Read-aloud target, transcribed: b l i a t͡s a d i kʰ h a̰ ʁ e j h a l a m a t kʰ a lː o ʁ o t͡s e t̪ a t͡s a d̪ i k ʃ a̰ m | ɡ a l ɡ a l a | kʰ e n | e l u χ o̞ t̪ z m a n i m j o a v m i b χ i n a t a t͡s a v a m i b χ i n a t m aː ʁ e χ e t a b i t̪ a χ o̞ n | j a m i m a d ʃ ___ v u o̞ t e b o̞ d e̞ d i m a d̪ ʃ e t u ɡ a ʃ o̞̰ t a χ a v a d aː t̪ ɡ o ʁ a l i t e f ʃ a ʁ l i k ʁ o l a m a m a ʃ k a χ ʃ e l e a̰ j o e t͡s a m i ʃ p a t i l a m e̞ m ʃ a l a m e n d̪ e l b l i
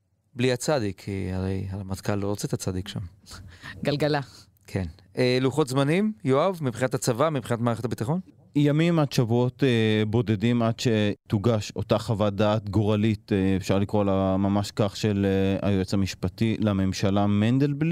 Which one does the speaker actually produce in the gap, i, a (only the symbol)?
a